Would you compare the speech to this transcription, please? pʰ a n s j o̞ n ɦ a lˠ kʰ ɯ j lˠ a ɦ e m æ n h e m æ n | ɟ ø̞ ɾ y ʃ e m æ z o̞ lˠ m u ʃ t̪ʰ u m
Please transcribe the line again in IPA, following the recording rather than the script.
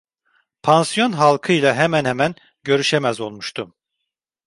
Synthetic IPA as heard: pʰ a n s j o̞ n ɦ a lˠ kʰ ɯ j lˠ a ɦ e m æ n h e m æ n | ɟ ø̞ ɾ y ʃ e m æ z o̞ lˠ m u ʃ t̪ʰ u m